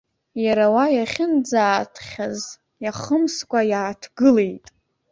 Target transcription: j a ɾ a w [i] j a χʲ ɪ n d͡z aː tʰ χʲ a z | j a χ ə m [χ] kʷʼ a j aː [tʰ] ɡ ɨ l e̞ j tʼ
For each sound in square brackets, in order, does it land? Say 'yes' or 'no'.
no, no, yes

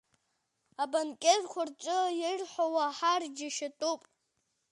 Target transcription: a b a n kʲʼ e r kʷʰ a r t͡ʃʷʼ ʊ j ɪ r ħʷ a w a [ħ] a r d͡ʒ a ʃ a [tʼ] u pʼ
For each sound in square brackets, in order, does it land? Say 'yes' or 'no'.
yes, yes

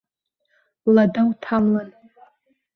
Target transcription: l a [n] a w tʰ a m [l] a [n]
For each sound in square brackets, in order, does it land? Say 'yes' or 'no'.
no, yes, yes

